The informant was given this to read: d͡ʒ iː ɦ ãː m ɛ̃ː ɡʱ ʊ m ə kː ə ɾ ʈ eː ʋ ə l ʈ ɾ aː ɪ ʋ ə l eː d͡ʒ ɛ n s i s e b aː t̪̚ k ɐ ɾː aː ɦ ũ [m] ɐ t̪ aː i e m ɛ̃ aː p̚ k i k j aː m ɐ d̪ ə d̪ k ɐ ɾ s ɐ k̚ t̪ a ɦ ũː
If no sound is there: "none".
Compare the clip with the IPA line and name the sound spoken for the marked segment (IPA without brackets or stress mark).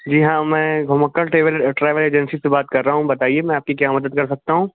b